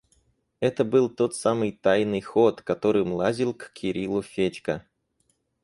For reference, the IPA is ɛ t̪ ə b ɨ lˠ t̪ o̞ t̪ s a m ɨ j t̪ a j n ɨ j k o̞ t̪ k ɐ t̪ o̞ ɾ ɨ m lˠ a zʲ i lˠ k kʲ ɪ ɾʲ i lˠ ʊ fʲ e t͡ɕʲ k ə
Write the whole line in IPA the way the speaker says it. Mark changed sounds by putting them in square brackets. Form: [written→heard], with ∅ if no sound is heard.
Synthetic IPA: ɛ t̪ ə b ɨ lˠ t̪ o̞ t̪ s a m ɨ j t̪ a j n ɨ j [k→x] o̞ t̪ k ɐ t̪ o̞ ɾ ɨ m lˠ a zʲ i lˠ k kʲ ɪ ɾʲ i lˠ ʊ fʲ e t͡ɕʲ k ə